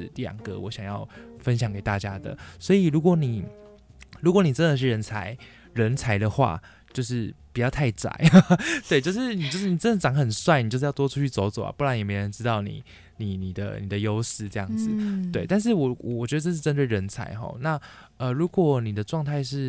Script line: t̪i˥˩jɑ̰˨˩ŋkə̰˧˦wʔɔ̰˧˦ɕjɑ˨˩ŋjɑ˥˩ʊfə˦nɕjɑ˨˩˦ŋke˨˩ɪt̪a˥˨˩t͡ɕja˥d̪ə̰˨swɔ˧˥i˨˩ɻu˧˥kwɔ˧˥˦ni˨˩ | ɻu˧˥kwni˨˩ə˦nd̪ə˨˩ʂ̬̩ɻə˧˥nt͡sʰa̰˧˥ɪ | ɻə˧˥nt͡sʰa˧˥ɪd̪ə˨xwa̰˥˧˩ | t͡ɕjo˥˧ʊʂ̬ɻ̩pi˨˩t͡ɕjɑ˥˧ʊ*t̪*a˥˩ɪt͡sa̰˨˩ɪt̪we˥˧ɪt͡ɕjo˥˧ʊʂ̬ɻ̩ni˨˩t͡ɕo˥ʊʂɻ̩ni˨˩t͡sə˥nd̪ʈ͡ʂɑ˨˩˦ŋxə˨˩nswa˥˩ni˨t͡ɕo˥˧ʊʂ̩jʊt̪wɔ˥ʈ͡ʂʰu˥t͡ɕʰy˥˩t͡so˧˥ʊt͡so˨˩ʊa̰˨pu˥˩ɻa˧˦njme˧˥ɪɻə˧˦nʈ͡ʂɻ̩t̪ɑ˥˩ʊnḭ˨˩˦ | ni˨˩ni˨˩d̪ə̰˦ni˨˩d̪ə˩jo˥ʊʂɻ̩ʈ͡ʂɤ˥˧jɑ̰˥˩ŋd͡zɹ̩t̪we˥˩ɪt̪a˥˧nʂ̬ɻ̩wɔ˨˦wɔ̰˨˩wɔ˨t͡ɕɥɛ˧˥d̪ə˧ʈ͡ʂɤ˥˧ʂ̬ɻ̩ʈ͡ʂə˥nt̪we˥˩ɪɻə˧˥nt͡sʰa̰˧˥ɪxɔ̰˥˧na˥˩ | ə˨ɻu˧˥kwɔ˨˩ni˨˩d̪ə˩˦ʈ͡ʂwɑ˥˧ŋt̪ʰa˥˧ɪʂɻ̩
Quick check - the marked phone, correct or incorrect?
incorrect